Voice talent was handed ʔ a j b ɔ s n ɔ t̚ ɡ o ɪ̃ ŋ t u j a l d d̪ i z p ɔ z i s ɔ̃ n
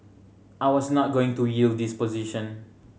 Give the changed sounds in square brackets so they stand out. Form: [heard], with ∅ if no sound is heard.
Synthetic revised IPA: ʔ a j [w] ɔ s n ɔ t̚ ɡ o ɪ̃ ŋ t u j [i] l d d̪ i [s] p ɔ z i [ʃ] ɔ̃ n